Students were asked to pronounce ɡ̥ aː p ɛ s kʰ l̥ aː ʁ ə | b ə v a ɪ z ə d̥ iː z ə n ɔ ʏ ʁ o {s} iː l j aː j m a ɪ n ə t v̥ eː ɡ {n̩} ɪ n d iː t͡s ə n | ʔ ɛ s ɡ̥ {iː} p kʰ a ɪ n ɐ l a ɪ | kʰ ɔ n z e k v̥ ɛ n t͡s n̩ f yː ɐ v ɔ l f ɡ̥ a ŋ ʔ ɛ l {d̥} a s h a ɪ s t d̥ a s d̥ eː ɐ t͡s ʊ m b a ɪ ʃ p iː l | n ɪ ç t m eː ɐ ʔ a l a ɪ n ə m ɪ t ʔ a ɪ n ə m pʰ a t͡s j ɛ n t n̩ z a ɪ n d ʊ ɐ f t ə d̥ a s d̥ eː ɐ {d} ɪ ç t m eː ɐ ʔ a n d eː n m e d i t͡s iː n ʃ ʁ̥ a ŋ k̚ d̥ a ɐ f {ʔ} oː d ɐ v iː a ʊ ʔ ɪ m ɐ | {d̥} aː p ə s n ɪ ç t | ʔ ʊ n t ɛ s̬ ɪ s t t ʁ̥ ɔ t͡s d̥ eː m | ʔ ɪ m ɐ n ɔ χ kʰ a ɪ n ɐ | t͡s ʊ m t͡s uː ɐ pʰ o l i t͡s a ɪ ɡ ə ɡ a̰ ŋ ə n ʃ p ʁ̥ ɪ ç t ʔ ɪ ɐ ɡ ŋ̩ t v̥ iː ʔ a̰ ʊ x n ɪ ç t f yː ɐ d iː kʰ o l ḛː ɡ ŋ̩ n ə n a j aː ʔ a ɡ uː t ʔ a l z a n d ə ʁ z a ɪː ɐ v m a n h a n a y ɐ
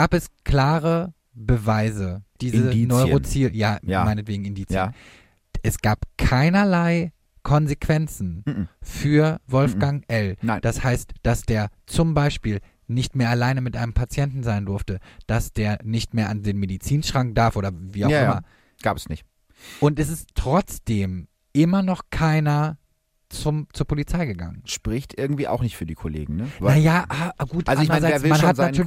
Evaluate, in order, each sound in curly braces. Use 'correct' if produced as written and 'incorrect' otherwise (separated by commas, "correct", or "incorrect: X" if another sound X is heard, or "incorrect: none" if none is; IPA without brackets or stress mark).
incorrect: t͡s, incorrect: ŋ̩, incorrect: aː, correct, incorrect: n, correct, incorrect: ɡ̥